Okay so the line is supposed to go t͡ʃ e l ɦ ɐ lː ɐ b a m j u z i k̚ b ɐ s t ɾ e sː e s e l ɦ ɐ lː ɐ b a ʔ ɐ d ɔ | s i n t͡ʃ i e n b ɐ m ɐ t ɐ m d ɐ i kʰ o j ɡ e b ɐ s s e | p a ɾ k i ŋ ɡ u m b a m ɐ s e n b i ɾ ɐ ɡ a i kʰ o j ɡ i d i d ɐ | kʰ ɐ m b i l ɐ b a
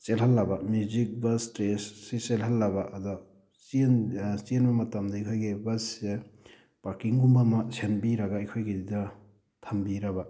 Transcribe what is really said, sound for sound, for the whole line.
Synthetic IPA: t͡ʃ e l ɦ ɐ lː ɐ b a m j u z i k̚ b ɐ s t ɾ e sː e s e l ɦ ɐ lː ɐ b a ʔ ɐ d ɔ | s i n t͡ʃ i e n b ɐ m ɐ t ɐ m d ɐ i kʰ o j ɡ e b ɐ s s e | p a ɾ k i ŋ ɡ u m b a m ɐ s e n b i ɾ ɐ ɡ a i kʰ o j ɡ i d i d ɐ | tʰ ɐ m b i ɾ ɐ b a